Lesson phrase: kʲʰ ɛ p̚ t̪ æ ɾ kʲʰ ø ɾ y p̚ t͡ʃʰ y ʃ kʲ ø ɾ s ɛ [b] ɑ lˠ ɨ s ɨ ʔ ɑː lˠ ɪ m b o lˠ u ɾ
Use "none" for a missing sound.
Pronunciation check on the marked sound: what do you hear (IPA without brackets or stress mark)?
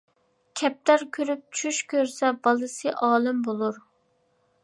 b